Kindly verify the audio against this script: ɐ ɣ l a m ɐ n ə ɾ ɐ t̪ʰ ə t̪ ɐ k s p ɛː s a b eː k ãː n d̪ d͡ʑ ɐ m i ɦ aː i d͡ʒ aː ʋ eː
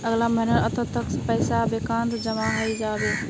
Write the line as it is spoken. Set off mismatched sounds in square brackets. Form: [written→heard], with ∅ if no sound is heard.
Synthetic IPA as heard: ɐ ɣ l a m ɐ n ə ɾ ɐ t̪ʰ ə t̪ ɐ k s p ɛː s a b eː k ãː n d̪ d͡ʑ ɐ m [i→a] ɦ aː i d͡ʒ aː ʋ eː